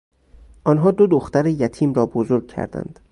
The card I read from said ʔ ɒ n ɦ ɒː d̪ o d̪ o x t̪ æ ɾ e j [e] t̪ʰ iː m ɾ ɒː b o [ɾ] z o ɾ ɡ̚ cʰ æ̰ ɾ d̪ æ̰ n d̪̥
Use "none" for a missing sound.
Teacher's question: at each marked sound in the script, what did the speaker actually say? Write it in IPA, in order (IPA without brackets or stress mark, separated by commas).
æ, none